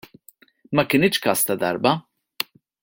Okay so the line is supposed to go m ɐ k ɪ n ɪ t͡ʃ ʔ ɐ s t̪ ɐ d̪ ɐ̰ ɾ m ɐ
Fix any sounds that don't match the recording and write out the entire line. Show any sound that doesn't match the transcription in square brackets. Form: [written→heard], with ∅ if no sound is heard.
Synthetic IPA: m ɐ k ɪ n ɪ t͡ʃ [ʔ→k] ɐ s t̪ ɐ d̪ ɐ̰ ɾ [m→b] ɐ